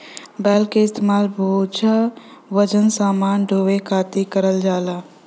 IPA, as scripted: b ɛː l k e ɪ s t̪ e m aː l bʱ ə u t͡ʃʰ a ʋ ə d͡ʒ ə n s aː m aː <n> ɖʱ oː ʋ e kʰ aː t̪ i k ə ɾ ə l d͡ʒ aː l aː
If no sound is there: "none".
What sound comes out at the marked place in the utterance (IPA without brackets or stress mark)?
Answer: n